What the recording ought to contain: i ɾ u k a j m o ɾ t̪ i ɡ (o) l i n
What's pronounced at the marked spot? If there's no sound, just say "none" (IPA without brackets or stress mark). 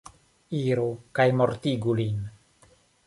u